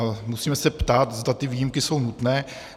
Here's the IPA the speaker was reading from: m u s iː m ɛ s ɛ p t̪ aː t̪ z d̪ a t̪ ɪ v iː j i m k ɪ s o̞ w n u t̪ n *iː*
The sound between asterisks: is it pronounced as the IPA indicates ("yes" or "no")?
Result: no